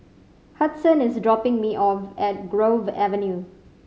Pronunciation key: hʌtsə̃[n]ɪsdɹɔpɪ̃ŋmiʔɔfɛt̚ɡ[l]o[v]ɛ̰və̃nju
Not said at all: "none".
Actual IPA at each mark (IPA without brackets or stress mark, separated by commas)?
n, ɹ, v